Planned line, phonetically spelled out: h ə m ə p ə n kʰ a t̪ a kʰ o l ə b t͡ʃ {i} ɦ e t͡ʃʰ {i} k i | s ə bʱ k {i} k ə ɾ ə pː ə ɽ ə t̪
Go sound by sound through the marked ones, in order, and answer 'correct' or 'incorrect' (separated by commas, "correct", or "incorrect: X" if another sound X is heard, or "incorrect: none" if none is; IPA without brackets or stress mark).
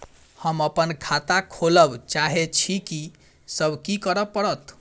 incorrect: a, correct, correct